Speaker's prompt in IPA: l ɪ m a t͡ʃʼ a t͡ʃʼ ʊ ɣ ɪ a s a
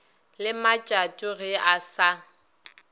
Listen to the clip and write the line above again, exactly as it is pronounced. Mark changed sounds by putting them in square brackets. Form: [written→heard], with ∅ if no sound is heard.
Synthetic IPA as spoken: l ɪ m a t͡ʃʼ a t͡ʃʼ ʊ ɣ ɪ a s a